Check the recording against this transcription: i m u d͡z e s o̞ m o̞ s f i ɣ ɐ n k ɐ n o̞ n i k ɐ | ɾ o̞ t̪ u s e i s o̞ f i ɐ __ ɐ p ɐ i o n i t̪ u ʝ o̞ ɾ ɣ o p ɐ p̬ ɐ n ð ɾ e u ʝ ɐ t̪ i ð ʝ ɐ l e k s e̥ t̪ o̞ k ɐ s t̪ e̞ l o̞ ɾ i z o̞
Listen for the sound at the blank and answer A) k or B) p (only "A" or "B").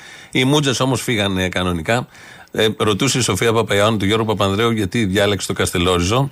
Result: B